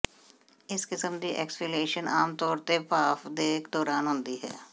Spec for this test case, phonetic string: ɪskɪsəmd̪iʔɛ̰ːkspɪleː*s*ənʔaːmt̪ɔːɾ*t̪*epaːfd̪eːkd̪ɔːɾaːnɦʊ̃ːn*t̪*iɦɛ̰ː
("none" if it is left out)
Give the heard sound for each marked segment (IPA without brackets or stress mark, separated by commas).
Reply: ʃ, t̪, d̪